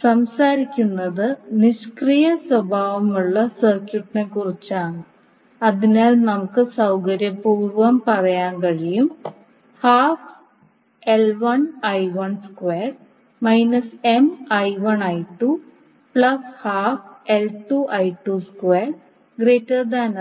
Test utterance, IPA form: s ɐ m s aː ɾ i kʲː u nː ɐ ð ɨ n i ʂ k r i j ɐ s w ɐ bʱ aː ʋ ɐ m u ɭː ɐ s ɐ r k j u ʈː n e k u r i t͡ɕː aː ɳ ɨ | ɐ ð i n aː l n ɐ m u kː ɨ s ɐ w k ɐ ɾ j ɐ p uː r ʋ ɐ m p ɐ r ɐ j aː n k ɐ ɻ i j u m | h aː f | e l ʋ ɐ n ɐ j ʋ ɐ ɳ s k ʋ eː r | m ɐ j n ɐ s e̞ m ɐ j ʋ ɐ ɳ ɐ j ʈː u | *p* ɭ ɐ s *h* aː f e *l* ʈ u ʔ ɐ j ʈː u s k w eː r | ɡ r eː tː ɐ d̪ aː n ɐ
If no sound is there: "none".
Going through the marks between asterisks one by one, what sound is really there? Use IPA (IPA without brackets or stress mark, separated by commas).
p, h, l